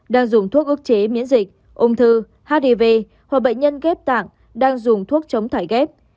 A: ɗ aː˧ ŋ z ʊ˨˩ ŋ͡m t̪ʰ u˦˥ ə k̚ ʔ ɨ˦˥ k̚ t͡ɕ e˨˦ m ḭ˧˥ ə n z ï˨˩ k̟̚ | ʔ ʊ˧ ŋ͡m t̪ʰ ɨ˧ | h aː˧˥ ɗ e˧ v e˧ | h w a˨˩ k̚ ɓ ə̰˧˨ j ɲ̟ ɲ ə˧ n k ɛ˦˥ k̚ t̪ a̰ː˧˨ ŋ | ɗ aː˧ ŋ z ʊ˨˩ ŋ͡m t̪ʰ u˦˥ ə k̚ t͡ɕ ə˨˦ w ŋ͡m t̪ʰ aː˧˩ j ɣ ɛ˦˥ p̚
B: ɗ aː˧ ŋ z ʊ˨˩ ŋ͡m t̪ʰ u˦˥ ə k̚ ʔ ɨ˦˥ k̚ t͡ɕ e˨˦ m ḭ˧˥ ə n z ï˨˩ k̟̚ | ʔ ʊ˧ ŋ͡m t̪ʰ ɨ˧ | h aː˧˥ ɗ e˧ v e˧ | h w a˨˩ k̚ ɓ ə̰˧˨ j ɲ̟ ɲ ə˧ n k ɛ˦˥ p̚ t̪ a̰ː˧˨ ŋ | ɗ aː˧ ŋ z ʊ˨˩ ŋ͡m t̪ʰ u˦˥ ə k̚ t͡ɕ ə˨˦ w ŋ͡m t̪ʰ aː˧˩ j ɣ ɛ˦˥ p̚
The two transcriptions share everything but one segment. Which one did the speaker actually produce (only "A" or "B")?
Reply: B